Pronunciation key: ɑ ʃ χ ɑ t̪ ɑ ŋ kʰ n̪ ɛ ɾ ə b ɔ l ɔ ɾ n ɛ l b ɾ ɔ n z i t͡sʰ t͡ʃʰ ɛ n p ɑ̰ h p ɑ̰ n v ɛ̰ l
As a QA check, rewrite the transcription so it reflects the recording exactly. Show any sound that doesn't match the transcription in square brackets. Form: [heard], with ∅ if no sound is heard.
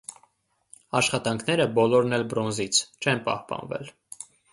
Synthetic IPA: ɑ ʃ χ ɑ t̪ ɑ ŋ kʰ n̪ ɛ ɾ ə b ɔ l ɔ ɾ n ɛ l b ɾ ɔ n z i t͡sʰ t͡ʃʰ ɛ n p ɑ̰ h p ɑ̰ n v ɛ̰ l